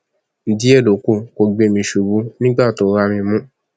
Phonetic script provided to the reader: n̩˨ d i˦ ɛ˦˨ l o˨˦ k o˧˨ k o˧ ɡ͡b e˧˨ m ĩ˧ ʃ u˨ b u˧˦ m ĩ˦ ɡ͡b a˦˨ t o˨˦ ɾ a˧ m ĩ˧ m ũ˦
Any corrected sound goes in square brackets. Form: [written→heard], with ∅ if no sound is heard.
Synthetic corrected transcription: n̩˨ d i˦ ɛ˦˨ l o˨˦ k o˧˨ k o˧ ɡ͡b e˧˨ m ĩ˧ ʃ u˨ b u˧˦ [m→n] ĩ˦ ɡ͡b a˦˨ t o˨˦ ɾ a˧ m ĩ˧ m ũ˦